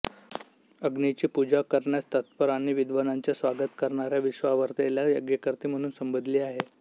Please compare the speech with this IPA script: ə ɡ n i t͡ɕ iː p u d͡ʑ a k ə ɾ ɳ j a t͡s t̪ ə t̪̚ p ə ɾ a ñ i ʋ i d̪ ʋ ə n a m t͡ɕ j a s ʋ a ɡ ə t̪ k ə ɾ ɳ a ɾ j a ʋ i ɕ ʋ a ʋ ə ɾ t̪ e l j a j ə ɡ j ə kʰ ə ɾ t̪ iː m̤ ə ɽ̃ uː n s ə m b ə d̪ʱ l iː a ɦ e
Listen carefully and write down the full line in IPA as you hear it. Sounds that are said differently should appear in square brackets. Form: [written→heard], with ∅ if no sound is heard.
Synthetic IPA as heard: ə ɡ n i t͡ɕ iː p u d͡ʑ a k ə ɾ ɳ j a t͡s t̪ ə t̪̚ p ə ɾ a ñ i ʋ i d̪ ʋ ə n a [m→ɲ] t͡ɕ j a s ʋ a ɡ ə t̪ k ə ɾ ɳ a ɾ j a ʋ i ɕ ʋ a ʋ ə ɾ t̪ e l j a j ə ɡ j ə [kʰ→k] ə ɾ t̪ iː m̤ ə ɽ̃ uː n s ə m b ə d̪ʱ l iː a ɦ e